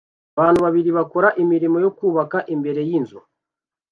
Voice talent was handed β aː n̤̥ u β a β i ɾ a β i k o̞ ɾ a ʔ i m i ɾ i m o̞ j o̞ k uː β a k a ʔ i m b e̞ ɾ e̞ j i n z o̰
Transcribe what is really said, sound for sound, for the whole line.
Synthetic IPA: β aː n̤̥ u β a β i ɾ i β a k o̞ ɾ a ʔ i m i ɾ i m o̞ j o̞ k uː β a k a ʔ i m b e̞ ɾ e̞ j i n z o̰